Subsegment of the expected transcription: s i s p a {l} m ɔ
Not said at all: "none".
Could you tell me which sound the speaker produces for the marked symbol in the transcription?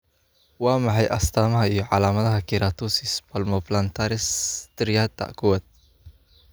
l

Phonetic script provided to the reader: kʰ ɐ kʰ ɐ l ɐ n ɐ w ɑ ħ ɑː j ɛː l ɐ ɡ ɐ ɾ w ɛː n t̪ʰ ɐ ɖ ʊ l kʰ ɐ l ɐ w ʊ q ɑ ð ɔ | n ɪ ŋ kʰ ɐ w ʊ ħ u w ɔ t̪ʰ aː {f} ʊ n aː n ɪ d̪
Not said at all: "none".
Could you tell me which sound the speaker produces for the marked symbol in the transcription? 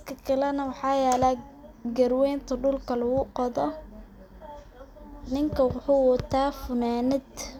f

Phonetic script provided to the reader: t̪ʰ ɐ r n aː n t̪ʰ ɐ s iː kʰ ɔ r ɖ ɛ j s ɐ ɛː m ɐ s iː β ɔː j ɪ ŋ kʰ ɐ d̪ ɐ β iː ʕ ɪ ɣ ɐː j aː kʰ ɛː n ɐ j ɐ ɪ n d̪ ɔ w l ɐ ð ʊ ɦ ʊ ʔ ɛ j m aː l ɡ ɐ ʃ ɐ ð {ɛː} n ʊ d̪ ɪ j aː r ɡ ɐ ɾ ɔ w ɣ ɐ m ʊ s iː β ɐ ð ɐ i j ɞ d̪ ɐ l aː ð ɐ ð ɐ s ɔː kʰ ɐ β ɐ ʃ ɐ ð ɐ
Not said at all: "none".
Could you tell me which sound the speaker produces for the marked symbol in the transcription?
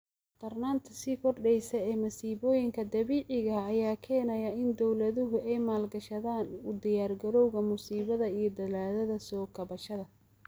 aː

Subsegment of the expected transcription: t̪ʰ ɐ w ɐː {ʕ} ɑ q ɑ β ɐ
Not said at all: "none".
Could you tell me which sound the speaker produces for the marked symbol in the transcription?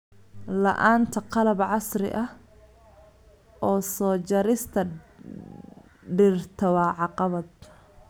ʕ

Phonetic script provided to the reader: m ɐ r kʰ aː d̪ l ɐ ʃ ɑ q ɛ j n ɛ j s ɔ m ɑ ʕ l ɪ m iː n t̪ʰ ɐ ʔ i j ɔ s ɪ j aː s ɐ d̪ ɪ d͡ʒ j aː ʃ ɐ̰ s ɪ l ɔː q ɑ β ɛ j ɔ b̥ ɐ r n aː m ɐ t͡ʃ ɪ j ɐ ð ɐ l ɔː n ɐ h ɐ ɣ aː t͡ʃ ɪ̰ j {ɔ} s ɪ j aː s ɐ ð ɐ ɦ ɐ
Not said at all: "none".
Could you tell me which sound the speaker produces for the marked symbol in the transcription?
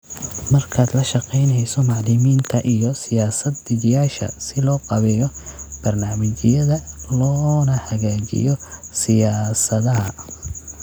ɔ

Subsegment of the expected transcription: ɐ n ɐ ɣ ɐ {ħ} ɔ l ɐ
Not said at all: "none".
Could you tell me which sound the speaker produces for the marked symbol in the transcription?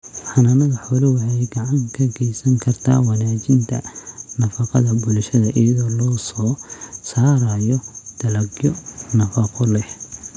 ħ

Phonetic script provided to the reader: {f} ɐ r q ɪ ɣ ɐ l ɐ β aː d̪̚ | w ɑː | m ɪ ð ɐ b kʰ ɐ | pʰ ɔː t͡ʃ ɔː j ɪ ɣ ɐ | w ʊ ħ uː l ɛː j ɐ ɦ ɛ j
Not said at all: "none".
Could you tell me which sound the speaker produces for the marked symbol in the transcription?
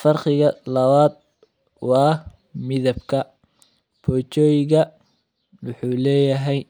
f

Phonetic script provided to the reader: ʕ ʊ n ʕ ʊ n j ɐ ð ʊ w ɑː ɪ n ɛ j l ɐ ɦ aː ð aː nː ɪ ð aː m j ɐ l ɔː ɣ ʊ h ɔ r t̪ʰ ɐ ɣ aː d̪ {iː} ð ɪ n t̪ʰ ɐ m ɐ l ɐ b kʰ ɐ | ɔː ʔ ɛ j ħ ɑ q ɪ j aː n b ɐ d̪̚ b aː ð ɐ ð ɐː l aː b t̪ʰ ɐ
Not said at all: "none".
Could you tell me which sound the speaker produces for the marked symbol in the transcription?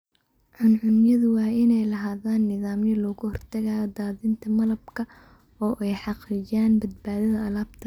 aː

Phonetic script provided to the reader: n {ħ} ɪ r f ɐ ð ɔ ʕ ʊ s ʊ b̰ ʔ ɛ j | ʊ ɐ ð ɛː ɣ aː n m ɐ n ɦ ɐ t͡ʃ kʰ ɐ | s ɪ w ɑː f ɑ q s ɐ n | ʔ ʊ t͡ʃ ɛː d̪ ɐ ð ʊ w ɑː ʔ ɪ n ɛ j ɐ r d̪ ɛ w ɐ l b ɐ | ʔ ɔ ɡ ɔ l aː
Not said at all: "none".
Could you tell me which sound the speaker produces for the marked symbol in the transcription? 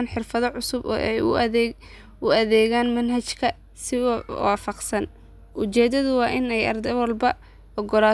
ħ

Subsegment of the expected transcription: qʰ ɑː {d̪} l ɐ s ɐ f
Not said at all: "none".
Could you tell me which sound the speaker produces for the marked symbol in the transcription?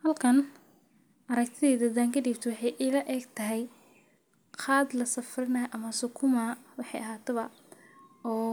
d̪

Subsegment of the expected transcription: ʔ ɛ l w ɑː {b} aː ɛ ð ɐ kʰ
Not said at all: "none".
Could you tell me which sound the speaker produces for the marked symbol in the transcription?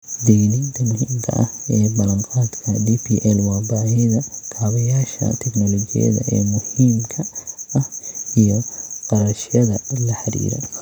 b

